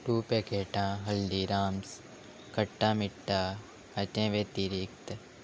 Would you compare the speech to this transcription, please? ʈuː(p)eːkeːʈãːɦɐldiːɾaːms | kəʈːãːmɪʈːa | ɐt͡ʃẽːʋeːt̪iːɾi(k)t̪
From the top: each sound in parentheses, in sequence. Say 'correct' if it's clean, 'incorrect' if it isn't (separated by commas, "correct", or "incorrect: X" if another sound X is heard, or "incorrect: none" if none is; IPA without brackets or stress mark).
correct, correct